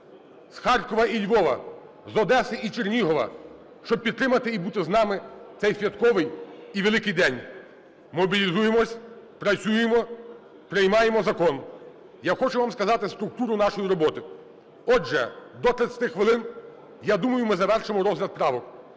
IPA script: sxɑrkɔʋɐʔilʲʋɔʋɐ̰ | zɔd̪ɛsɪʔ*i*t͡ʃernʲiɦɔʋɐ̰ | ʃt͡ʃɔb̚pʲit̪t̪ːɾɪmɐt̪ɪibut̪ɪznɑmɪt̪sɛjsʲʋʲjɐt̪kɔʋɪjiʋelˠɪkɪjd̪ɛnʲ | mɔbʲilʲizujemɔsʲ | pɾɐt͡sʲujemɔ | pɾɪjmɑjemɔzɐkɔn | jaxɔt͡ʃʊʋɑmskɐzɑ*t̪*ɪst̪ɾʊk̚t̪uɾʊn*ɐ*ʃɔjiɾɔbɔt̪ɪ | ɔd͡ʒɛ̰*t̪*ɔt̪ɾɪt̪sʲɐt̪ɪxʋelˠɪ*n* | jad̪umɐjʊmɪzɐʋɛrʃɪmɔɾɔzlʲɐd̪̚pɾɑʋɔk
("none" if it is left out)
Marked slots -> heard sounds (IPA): i, t̪, ɑ, d̪, n

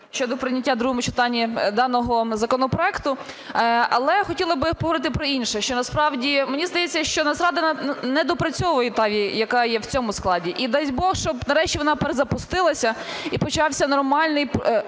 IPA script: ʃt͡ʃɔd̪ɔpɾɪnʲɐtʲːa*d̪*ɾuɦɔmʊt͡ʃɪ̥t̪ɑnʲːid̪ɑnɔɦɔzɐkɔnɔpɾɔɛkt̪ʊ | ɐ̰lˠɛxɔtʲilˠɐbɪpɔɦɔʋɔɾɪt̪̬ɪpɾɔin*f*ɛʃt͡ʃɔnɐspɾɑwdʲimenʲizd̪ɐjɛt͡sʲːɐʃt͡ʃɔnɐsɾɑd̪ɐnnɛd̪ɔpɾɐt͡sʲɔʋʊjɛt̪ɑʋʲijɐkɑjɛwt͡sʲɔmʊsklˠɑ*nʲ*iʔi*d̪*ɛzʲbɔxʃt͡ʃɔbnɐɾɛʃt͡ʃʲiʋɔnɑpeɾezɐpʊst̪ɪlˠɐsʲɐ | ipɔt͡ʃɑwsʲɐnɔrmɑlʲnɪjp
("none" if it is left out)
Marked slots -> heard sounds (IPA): d̪, ʃ, dʲ, d̪

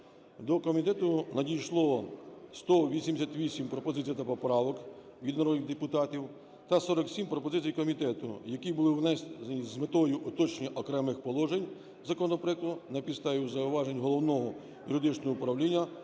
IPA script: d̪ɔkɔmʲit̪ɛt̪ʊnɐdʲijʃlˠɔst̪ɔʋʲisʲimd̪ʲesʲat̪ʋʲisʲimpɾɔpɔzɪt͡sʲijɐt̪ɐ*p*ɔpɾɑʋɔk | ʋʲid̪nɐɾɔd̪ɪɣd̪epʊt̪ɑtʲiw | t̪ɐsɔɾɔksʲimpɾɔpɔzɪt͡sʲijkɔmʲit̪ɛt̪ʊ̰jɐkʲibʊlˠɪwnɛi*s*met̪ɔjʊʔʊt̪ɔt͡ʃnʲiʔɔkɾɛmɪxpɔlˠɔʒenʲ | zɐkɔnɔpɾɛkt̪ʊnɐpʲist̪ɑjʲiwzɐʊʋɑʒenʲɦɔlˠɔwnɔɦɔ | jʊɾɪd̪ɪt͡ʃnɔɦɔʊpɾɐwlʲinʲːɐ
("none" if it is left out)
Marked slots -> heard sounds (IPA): p, z

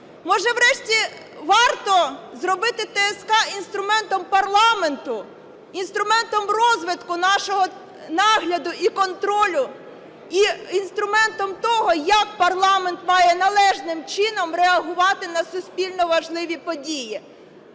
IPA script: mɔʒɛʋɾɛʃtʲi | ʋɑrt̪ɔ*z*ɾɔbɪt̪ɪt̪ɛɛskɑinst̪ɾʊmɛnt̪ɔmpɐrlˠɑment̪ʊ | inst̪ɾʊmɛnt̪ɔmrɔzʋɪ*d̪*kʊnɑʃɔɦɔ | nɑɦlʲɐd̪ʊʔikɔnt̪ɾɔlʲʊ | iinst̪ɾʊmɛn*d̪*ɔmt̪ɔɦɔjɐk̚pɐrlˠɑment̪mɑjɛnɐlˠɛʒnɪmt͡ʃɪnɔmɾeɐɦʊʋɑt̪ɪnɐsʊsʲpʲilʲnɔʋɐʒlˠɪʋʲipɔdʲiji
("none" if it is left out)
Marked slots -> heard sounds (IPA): z, t̪, t̪

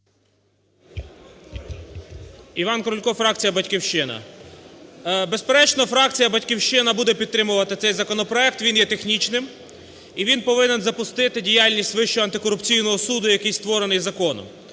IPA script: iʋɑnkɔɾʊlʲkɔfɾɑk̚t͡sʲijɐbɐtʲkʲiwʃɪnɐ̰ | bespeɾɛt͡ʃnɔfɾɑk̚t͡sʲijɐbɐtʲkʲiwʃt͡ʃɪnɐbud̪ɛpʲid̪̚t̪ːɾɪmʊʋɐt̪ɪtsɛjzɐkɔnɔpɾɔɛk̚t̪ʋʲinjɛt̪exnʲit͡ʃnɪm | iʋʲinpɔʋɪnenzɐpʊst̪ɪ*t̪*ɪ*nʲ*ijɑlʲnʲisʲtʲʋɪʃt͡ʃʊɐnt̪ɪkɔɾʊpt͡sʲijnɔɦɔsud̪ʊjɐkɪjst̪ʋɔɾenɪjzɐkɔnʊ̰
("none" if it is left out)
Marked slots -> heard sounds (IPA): t̪, dʲ

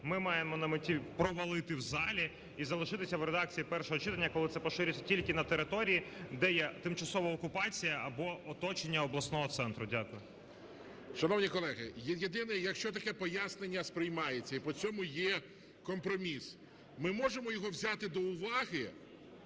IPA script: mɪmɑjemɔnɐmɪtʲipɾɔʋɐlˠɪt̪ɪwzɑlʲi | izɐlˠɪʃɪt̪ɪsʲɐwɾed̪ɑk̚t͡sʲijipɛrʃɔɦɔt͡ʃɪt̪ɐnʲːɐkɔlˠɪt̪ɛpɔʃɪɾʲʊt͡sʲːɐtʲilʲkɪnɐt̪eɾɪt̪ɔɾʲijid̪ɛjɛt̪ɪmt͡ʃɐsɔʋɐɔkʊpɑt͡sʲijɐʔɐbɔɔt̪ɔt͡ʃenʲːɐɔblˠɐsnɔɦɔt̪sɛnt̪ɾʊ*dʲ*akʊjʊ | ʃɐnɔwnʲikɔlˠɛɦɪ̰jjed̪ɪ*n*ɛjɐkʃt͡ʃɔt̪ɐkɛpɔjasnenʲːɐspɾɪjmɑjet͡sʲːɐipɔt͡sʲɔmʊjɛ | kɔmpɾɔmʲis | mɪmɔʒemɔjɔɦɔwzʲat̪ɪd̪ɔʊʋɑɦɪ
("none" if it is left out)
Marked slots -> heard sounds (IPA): dʲ, n

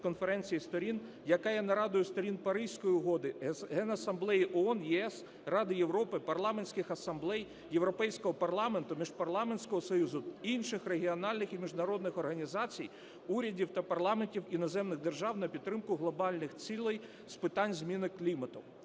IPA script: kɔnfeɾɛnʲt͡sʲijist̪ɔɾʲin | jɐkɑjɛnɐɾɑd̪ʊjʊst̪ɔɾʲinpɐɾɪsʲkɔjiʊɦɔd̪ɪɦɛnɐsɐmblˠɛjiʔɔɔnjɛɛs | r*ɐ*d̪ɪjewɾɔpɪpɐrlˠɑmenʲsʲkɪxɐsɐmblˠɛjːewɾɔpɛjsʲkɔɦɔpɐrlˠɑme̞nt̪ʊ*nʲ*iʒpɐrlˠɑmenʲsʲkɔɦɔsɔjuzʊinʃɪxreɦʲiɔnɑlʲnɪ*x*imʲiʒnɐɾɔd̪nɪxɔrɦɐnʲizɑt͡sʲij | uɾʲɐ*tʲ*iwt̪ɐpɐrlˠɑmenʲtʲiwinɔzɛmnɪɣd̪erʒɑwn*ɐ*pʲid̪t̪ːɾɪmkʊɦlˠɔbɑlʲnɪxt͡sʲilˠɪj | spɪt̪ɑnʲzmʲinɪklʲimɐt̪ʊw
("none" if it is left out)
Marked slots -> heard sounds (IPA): ɑ, mʲ, x, dʲ, ɐ

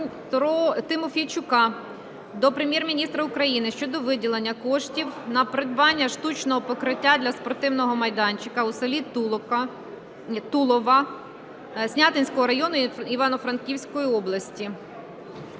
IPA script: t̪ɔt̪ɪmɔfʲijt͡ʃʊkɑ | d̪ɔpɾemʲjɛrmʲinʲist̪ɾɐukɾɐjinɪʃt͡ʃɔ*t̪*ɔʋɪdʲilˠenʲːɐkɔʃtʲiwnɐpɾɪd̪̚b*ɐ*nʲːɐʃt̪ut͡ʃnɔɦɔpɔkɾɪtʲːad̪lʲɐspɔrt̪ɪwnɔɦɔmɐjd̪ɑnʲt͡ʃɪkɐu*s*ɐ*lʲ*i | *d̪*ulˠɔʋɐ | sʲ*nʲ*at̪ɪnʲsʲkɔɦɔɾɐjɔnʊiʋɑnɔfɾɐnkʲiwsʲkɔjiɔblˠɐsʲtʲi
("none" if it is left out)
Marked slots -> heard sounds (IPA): d̪, ɑ, s, lʲ, t̪, nʲ

